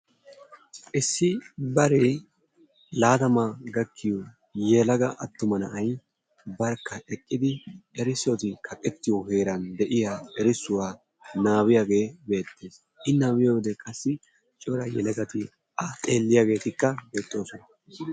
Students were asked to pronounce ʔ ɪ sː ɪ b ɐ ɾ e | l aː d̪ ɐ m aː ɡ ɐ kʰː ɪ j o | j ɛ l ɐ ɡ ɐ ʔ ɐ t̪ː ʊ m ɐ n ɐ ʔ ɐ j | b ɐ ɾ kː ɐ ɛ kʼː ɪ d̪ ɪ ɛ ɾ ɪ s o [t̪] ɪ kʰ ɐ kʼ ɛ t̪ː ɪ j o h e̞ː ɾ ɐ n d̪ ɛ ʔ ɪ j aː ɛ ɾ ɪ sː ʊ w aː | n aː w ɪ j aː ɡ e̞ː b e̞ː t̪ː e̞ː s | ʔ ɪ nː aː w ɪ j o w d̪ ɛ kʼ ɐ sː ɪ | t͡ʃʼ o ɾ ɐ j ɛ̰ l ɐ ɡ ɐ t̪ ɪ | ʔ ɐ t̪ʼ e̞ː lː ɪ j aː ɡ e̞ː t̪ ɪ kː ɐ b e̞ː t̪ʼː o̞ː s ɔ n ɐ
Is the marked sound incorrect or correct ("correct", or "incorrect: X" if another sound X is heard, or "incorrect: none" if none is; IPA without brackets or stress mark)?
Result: correct